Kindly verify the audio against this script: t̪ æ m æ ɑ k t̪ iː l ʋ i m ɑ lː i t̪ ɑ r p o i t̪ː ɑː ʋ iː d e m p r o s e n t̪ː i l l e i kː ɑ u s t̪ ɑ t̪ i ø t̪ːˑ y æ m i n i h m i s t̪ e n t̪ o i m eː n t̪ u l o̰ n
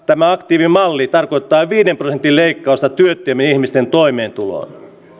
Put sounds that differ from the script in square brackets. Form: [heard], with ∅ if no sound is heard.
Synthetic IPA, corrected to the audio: t̪ æ m æ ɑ k t̪ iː [∅] ʋ i m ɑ lː i t̪ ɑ r [k] o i t̪ː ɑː ʋ iː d e m p r o s e n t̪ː i l l e i kː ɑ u s t̪ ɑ t̪ [y] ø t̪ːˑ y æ m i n i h m i s t̪ e n t̪ o i m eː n t̪ u l o̰ n